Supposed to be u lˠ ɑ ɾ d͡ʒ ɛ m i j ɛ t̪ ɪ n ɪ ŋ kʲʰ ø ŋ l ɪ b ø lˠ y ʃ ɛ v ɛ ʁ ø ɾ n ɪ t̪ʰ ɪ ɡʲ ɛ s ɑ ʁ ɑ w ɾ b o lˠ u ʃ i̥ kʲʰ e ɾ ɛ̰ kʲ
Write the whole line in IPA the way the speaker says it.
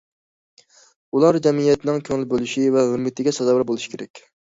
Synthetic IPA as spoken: u lˠ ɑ ɾ d͡ʒ ɛ m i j ɛ t̪ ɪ n ɪ ŋ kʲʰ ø ŋ l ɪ b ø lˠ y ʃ i v ɛ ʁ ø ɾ m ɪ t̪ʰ ɪ ɡʲ ɛ s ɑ z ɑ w ɾ b o lˠ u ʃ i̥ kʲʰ e ɾ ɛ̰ kʲ